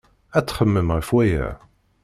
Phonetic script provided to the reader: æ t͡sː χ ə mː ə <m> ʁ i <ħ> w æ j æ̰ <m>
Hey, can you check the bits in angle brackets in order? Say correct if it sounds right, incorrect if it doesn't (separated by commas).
correct, incorrect, incorrect